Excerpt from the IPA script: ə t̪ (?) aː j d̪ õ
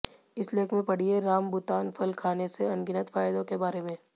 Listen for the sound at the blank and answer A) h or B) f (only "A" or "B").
B